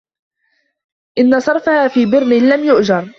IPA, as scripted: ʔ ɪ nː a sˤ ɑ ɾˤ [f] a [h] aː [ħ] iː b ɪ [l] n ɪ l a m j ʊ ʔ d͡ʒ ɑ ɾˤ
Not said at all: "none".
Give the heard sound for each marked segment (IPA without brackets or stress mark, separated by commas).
f, h, f, ɾ